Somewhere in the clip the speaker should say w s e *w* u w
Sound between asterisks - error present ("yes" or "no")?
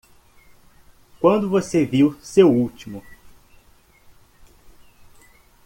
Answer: no